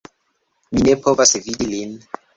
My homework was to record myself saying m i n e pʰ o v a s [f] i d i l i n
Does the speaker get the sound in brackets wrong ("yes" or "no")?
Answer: yes